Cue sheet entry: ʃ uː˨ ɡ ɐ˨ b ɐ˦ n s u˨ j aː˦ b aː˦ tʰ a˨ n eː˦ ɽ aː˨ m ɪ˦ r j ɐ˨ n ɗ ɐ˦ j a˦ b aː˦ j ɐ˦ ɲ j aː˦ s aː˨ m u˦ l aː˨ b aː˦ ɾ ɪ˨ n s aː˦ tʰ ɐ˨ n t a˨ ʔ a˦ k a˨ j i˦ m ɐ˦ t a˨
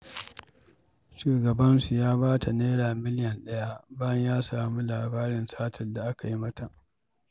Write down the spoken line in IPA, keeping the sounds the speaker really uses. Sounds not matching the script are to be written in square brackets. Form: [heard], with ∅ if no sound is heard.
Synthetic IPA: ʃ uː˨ ɡ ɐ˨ b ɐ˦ n s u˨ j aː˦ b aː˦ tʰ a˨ n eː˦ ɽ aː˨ m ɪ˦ [l] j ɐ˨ n ɗ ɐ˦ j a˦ b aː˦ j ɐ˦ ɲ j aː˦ s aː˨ m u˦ l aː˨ b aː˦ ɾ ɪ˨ n s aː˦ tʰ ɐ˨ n [d] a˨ ʔ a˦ k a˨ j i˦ m ɐ˦ t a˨

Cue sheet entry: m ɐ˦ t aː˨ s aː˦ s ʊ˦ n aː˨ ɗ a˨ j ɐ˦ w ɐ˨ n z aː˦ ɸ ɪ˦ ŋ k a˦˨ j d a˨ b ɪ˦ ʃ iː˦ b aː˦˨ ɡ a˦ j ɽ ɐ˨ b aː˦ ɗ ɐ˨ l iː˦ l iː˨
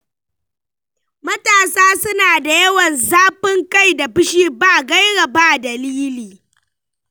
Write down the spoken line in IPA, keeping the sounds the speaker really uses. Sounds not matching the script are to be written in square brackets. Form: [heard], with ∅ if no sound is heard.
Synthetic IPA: m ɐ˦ t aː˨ s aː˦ s ʊ˦ n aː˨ [d] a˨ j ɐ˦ w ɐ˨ n z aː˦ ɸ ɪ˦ ŋ k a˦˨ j d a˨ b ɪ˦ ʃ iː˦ b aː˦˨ ɡ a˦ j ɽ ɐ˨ b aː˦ [d] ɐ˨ l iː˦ l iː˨

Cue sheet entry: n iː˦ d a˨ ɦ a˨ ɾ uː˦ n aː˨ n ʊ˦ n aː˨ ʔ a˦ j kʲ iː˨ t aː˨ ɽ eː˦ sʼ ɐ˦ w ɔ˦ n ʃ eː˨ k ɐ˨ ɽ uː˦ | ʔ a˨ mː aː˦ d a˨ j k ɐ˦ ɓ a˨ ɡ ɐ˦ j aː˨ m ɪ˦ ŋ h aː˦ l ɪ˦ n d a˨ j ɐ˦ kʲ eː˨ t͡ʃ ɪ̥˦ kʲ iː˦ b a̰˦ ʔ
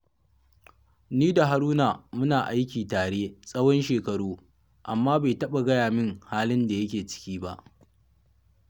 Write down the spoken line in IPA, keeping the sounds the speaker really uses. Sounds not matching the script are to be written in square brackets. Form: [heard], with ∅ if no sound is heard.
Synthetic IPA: n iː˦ d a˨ ɦ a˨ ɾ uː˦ n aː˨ [m] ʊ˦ n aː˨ ʔ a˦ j kʲ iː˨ t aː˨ ɽ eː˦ sʼ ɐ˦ w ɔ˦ n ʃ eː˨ k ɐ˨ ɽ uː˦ | ʔ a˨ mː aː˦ [b] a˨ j [t] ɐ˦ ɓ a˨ ɡ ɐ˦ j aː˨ m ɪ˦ ŋ h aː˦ l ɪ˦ n d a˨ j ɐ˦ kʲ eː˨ t͡ʃ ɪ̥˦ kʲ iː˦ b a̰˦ ʔ

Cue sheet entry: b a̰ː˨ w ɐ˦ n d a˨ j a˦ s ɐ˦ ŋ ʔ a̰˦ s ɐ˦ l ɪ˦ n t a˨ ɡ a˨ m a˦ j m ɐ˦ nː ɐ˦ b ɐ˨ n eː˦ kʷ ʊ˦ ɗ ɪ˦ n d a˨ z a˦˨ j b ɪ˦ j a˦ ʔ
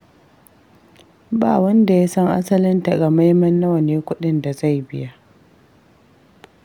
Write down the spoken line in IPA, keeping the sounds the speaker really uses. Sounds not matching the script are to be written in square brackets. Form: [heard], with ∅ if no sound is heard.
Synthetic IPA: b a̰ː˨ w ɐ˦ n d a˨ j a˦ s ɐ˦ ŋ ʔ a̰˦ s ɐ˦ l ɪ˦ n t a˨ ɡ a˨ m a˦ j m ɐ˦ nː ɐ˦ [w] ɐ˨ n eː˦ kʷ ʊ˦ ɗ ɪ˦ n d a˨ z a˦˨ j b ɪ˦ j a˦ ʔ

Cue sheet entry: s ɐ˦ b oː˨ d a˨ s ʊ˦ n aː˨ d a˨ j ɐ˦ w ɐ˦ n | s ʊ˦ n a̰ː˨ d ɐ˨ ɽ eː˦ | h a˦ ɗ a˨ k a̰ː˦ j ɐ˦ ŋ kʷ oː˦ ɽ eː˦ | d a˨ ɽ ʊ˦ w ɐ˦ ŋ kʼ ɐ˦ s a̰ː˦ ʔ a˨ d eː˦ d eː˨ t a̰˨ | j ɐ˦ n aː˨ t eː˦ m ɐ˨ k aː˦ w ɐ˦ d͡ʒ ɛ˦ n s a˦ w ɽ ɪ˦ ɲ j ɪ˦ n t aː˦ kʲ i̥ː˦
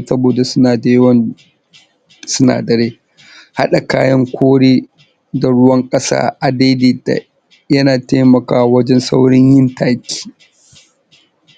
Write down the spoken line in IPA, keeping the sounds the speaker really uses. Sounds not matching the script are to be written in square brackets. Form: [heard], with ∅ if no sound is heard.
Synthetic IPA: s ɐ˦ b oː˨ d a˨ s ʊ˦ n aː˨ d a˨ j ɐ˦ w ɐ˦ n | s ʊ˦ n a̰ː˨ d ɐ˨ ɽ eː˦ | h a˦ ɗ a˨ k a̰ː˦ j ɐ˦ ŋ kʷ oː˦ ɽ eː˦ | d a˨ ɽ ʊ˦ w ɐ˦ ŋ kʼ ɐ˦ s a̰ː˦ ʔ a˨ d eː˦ d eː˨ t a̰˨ | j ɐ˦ n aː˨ t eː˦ m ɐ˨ k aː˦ w ɐ˦ d͡ʒ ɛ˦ n s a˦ w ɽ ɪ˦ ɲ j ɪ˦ n t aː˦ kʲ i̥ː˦

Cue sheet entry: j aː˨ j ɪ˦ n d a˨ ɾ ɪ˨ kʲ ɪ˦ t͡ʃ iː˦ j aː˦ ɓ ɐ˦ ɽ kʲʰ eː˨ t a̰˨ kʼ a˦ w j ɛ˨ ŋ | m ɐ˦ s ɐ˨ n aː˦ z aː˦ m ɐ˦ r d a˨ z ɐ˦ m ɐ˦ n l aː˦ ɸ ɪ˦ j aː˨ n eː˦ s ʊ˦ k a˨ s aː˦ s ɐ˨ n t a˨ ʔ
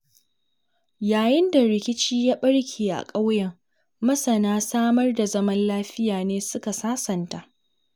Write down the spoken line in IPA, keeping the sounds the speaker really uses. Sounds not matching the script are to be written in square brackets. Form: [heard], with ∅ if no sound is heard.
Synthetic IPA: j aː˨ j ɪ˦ n d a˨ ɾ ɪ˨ kʲ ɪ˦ t͡ʃ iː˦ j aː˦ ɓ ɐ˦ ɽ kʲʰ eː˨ [ʔ] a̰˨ kʼ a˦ w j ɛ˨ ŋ | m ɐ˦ s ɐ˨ n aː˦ [s] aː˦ m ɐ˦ r d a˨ z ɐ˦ m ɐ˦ n l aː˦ ɸ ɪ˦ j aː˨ n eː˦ s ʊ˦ k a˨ s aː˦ s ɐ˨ n t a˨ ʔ

